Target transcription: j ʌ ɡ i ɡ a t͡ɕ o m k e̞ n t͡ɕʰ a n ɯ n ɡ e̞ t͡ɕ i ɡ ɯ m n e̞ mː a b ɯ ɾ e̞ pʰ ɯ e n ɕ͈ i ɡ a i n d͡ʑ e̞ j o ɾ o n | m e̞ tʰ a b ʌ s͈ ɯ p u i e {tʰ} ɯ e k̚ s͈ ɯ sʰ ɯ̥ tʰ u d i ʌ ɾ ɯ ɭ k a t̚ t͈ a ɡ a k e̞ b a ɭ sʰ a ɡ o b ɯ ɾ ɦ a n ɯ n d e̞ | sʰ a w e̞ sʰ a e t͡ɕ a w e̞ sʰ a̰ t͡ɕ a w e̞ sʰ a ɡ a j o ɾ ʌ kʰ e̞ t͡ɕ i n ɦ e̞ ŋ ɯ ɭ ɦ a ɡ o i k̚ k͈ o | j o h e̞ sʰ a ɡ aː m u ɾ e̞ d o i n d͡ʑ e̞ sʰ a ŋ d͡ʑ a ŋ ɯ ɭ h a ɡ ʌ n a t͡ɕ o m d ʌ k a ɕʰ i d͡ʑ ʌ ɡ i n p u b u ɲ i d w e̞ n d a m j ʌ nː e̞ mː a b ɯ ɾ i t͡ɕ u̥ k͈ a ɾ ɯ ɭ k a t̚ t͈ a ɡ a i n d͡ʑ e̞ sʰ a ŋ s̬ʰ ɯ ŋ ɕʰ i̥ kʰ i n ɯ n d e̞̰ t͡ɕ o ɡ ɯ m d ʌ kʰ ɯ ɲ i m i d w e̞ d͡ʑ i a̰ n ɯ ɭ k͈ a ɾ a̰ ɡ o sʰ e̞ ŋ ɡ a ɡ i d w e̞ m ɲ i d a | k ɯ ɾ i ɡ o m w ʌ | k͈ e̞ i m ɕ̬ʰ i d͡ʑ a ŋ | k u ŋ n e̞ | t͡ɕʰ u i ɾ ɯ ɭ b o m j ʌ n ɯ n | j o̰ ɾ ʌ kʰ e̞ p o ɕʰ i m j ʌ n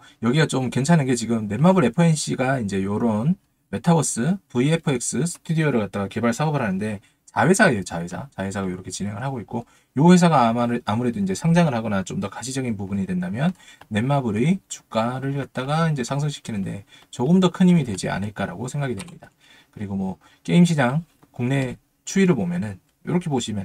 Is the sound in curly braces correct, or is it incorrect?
incorrect